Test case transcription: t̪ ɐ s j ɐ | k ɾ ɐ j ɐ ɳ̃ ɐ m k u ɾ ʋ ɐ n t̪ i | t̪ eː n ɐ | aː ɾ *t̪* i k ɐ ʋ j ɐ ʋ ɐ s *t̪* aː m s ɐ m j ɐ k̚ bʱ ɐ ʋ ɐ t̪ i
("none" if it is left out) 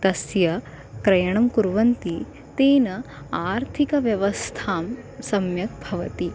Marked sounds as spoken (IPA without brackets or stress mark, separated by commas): t̪ʰ, t̪ʰ